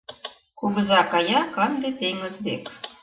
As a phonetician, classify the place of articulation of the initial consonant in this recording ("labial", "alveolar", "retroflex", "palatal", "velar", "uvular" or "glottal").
velar